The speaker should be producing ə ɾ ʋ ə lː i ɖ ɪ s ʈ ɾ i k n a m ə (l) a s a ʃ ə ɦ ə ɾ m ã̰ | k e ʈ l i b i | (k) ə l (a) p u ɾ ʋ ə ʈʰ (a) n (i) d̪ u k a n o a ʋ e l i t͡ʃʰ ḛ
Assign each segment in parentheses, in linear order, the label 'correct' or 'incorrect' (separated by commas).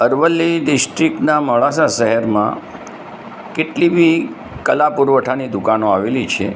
incorrect, correct, correct, correct, correct